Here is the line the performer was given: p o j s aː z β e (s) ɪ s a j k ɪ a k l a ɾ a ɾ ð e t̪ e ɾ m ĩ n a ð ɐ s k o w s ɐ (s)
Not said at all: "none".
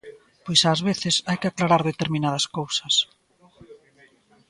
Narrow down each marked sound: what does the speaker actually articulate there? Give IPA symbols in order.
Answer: θ, s

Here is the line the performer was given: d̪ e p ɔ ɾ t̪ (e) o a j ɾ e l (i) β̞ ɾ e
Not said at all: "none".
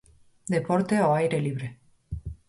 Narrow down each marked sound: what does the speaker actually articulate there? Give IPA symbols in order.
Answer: e, i

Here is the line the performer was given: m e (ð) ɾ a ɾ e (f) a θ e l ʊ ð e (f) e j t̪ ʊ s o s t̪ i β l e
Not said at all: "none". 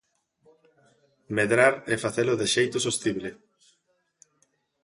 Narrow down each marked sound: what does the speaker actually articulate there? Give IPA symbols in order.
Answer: ð, f, ʃ

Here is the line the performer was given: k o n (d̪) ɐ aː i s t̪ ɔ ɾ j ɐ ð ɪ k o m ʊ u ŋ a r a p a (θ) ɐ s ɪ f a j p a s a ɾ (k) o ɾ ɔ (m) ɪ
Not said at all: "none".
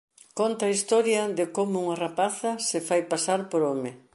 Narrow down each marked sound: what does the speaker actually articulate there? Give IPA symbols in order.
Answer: t̪, θ, p, m

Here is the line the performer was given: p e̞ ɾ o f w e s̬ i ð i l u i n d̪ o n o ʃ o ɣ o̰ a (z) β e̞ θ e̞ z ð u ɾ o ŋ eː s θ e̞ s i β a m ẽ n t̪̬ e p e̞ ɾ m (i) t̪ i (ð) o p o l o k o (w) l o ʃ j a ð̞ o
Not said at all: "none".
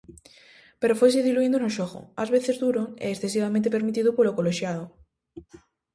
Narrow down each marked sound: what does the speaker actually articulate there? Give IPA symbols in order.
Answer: z, i, ð, none

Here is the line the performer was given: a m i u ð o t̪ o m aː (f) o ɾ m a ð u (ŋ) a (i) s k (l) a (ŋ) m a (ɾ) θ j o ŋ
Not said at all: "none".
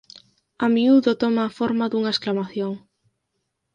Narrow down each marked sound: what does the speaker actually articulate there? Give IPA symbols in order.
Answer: f, ŋ, e, l, none, none

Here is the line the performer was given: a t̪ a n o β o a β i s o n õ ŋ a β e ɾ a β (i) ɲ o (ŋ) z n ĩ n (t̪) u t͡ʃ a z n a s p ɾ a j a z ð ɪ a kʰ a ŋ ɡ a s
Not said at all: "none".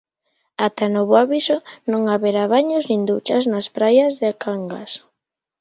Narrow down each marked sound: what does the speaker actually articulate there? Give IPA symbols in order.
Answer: a, none, d̪

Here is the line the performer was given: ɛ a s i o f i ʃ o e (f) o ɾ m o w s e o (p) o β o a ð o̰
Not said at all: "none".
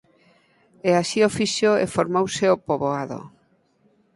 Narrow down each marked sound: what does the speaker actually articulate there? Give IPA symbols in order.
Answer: f, p

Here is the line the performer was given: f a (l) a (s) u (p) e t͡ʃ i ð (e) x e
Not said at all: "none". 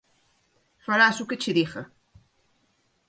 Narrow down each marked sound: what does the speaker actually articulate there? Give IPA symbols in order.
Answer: ɾ, s, k, i

